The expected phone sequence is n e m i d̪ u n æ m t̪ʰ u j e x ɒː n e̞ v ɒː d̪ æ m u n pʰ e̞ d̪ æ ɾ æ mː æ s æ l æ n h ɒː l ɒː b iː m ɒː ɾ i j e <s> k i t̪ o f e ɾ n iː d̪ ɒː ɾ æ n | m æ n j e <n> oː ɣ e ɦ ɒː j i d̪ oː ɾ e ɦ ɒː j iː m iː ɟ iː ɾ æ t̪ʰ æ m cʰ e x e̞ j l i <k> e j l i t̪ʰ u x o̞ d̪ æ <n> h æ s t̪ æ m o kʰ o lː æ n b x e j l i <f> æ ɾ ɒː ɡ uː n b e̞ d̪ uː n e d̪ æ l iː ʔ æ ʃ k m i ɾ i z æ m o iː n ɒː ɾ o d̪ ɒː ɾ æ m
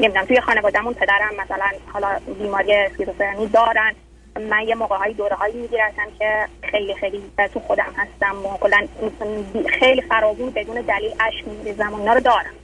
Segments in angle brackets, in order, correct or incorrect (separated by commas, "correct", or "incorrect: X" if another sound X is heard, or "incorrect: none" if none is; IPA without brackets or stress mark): correct, incorrect: m, incorrect: x, incorrect: m, correct